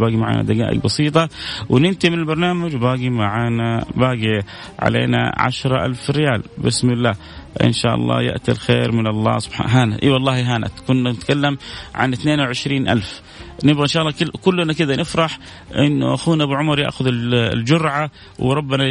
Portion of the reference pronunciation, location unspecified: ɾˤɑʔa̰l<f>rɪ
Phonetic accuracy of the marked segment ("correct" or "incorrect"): correct